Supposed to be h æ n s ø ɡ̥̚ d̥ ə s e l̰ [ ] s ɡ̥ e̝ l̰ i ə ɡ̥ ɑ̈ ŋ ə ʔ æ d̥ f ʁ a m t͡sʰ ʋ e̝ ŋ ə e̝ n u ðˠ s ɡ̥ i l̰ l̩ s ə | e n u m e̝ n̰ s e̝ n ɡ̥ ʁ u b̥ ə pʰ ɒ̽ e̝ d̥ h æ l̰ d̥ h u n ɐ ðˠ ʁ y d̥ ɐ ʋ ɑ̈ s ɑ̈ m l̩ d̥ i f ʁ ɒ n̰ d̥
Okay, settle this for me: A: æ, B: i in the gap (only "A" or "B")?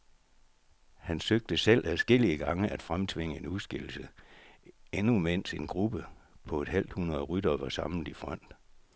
A